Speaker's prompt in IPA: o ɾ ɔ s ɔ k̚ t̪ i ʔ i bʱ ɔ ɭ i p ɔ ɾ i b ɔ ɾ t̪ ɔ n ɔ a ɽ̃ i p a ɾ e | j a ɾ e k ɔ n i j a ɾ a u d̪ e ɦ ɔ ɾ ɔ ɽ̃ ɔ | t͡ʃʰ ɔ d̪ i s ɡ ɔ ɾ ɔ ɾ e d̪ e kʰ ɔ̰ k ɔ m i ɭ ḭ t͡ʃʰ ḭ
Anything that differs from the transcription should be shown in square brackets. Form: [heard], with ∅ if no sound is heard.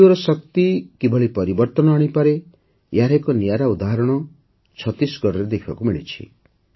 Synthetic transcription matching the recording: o ɾ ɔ s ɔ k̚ t̪ i [k] i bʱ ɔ ɭ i p ɔ ɾ i b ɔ ɾ t̪ ɔ n ɔ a ɽ̃ i p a ɾ e | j a ɾ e k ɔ n i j a ɾ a u d̪ [a] ɦ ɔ ɾ ɔ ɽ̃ ɔ | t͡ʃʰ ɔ [t̪] i s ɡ ɔ ɾ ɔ ɾ e d̪ e kʰ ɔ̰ k [u] m i ɭ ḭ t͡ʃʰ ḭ